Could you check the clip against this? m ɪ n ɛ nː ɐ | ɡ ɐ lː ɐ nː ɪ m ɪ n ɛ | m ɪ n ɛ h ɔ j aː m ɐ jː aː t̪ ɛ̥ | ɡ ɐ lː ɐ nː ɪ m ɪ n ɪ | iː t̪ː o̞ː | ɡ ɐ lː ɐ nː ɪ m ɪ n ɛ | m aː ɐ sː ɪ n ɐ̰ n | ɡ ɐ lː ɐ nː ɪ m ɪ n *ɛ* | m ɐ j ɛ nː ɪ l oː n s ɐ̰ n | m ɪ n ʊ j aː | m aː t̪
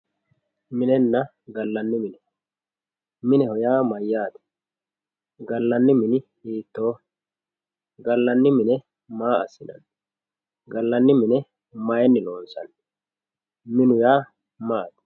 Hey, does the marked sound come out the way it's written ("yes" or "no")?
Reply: yes